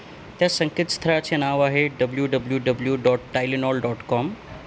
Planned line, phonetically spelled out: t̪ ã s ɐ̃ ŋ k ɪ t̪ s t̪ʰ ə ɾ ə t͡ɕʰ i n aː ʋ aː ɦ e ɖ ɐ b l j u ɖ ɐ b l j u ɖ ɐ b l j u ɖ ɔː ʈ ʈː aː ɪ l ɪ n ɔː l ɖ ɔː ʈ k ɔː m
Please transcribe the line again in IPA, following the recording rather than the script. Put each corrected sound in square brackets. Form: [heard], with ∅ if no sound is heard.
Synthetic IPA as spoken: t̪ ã s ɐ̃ ŋ k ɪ t̪ s t̪ʰ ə ɾ [a] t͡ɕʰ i n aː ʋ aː ɦ e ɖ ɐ b l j u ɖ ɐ b l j u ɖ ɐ b l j u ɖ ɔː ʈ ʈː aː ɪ l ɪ n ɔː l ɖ ɔː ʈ k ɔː m